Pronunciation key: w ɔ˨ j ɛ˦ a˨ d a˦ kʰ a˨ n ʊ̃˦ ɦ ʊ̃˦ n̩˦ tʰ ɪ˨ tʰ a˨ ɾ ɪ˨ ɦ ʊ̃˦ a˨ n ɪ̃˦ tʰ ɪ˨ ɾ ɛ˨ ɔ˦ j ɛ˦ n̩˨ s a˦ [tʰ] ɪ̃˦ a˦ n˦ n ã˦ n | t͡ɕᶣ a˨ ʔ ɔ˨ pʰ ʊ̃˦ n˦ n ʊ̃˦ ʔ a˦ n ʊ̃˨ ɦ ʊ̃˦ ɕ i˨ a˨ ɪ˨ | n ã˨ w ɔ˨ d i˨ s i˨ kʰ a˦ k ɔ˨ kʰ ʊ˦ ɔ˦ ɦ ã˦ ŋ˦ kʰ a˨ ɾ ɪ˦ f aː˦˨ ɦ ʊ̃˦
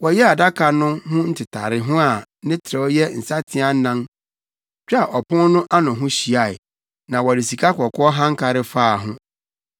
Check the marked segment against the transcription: correct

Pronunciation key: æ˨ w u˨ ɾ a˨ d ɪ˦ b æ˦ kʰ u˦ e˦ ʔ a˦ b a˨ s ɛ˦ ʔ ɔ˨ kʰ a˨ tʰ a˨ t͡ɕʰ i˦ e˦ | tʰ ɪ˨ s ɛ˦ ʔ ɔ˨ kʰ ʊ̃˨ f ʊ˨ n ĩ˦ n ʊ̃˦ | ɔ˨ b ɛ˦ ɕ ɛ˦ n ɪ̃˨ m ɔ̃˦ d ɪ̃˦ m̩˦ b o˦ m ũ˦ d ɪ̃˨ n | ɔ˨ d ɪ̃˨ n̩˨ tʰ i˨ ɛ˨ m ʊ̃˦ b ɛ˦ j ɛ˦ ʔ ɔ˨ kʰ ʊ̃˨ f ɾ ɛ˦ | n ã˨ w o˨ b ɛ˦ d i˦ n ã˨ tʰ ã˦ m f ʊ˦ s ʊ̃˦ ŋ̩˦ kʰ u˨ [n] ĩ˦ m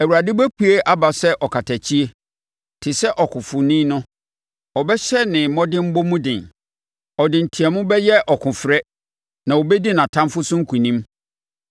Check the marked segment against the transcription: correct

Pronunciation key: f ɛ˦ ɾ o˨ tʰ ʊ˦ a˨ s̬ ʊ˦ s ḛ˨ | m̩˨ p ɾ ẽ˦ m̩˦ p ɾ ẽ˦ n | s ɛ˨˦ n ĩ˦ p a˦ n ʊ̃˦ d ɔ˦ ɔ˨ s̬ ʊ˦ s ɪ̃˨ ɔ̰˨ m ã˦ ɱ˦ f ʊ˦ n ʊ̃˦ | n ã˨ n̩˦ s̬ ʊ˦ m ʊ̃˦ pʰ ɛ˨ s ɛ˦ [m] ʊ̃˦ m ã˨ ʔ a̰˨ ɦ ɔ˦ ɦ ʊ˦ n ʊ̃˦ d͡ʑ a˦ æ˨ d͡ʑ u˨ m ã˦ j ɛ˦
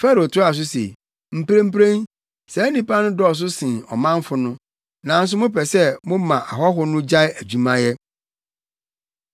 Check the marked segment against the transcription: correct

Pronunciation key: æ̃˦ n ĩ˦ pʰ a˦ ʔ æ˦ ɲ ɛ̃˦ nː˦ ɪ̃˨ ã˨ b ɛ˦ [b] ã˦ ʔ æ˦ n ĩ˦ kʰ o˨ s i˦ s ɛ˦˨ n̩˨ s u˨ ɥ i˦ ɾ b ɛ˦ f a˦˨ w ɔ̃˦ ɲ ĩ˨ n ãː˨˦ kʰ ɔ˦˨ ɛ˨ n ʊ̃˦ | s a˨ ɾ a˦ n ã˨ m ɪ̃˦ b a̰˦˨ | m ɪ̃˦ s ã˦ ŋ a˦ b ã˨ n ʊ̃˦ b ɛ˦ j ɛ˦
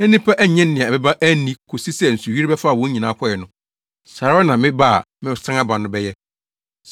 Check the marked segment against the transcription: correct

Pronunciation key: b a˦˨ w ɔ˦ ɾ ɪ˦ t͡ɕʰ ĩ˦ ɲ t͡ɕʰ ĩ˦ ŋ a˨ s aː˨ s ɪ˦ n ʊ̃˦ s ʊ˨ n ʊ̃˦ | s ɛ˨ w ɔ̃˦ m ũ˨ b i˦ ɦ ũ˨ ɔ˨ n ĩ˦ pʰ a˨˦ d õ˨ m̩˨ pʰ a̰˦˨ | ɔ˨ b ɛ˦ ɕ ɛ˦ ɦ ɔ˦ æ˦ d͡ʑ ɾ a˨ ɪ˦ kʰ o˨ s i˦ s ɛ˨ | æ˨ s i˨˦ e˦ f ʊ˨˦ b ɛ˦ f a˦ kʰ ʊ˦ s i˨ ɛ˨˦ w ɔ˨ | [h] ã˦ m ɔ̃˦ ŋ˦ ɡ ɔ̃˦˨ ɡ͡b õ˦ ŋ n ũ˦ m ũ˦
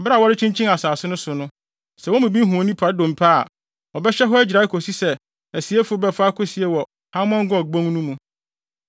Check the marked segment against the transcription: correct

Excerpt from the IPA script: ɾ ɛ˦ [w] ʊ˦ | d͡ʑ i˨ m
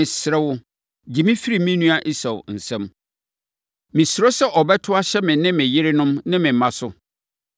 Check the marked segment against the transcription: correct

